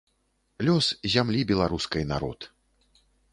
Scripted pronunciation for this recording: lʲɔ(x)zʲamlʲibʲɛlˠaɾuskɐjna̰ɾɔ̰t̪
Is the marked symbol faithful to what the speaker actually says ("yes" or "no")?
no